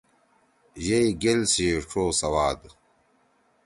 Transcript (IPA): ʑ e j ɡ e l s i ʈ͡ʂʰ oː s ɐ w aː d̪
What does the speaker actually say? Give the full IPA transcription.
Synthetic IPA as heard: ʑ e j ɡ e l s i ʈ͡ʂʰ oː s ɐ w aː d̪